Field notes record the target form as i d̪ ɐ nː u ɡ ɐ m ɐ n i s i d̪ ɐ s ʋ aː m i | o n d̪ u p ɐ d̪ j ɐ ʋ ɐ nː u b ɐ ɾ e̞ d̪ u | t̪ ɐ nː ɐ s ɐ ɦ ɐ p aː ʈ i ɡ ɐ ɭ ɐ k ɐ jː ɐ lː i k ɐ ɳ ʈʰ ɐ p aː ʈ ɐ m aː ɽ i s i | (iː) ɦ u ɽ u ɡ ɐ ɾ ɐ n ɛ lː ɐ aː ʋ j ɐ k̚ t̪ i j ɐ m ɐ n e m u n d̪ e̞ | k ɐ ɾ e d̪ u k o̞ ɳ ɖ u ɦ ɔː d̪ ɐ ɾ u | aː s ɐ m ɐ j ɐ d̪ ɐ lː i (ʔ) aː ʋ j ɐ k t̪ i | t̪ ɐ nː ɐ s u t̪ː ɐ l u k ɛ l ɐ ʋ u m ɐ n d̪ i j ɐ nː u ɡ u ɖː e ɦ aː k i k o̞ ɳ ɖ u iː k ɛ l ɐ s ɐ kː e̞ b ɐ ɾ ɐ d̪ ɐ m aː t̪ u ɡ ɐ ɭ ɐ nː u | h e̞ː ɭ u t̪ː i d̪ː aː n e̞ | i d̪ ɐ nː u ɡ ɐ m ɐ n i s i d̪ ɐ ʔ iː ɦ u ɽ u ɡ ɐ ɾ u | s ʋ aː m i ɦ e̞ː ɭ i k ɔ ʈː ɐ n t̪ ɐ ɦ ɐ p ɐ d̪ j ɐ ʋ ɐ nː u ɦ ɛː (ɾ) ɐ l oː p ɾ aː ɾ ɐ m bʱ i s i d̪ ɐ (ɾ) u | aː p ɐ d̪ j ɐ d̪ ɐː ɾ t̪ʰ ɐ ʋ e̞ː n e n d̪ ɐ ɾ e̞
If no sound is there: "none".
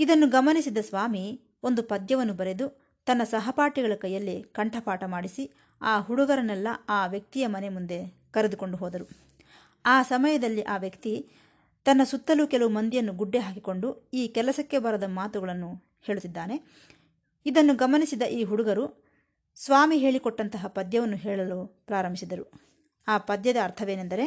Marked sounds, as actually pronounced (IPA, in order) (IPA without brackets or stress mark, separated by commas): aː, ʔ, ɭ, ɾ